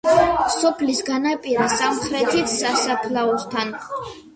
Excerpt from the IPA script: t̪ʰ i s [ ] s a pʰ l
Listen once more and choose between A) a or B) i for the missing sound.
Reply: A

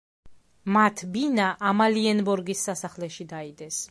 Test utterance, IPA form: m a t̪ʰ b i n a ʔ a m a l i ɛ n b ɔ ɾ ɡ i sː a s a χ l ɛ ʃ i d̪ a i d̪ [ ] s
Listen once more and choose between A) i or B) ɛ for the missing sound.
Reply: B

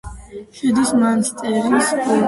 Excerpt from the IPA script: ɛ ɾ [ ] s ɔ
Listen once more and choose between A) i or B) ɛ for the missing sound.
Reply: A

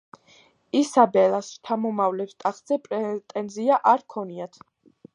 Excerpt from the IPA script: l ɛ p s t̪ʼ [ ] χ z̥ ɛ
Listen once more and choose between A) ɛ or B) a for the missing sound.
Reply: B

